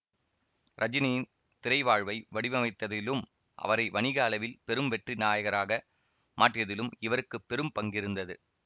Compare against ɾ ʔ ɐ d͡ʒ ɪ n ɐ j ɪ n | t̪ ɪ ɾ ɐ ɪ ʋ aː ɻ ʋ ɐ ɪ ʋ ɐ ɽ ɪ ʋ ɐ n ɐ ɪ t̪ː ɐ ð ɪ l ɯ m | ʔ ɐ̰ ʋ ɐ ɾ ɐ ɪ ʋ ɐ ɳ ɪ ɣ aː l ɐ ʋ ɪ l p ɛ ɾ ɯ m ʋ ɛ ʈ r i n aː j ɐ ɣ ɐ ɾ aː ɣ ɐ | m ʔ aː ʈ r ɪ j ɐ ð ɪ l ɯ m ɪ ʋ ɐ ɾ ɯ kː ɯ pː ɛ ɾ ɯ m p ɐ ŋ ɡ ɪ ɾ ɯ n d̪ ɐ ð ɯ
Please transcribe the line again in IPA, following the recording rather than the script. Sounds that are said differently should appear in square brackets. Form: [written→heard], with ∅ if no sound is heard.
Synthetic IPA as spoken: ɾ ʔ ɐ d͡ʒ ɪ n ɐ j ɪ n | t̪ ɪ ɾ ɐ ɪ ʋ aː ɻ ʋ ɐ ɪ ʋ ɐ ɽ ɪ ʋ ɐ [n→m] ɐ ɪ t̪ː ɐ ð ɪ l ɯ m | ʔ ɐ̰ ʋ ɐ ɾ ɐ ɪ ʋ ɐ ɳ ɪ ɣ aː l ɐ ʋ ɪ l p ɛ ɾ ɯ m ʋ ɛ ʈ r i n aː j ɐ ɣ ɐ ɾ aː ɣ ɐ | m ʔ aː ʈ r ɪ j ɐ ð ɪ l ɯ m ɪ ʋ ɐ ɾ ɯ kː ɯ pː ɛ ɾ ɯ m p ɐ ŋ ɡ ɪ ɾ ɯ n d̪ ɐ ð ɯ